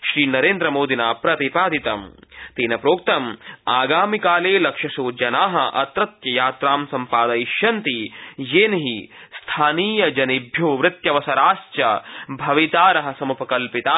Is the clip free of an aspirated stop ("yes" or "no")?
no